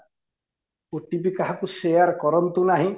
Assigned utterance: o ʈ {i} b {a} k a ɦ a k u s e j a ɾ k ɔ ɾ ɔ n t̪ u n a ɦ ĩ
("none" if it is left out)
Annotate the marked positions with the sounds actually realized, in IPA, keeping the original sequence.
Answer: i, i

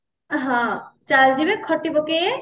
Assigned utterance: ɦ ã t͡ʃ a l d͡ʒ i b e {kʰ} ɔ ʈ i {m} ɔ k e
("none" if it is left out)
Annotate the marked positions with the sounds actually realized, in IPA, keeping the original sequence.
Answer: kʰ, b

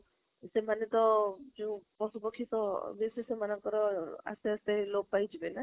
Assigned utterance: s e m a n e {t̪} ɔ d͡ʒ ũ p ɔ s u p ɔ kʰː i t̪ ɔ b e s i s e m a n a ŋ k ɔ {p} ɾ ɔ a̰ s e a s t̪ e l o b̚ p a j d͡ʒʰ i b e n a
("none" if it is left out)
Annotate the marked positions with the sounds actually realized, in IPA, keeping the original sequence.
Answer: t̪, none

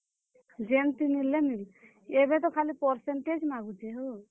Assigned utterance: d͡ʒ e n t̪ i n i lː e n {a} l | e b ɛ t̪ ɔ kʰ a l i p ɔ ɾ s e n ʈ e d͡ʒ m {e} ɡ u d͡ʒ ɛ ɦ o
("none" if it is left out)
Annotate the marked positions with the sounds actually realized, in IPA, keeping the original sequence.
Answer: i, a

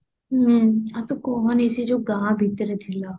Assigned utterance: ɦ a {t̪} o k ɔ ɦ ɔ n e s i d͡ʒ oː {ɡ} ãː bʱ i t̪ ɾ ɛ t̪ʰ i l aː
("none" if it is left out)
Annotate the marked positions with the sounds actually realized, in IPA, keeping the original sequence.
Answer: t̪, ɡ

